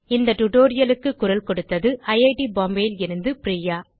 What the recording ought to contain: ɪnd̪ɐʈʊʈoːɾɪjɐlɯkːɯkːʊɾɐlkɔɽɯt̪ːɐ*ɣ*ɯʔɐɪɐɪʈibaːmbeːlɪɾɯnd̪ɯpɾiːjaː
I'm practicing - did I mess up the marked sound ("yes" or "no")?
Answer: yes